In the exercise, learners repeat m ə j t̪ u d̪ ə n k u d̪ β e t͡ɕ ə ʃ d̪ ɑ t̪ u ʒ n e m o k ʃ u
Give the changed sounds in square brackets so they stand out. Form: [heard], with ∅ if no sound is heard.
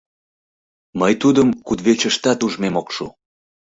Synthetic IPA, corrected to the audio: m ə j t̪ u d̪ ə [m] k u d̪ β e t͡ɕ ə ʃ [t̪] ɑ t̪ u ʒ [m] e m o k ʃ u

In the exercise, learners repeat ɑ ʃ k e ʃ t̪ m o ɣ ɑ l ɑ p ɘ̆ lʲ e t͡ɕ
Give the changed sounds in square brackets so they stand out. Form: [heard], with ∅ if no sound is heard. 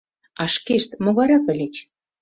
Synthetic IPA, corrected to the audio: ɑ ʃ k e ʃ t̪ m o ɣ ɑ [ɾ] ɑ p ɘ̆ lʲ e t͡ɕ

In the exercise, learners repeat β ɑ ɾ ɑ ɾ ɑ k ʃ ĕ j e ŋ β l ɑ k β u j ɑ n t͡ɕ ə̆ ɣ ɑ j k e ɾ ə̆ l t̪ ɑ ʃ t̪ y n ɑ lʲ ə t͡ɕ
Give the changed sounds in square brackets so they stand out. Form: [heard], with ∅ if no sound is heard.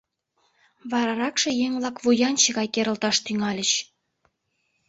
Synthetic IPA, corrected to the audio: β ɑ ɾ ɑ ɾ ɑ k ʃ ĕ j e ŋ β l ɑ k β u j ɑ n t͡ɕ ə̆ ɣ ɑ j k e ɾ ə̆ l t̪ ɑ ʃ t̪ y [ŋ] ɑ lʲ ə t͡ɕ

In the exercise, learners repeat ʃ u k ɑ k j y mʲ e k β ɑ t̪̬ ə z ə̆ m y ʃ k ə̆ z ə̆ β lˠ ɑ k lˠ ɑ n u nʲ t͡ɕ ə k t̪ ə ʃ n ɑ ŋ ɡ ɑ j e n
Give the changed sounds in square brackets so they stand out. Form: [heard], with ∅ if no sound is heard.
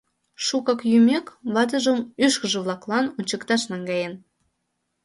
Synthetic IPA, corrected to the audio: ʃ u k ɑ k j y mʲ e k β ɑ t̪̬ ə [ʒ] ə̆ m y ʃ k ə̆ [ʒ] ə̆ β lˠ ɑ k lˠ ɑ n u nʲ t͡ɕ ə k t̪ [ɑ] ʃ n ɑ ŋ ɡ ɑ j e n

